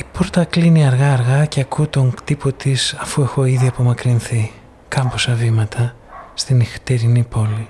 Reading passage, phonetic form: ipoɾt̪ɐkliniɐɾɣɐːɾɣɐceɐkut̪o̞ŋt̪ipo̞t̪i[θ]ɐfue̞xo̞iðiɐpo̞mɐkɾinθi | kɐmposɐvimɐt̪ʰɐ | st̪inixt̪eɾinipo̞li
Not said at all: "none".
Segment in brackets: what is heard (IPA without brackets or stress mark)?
s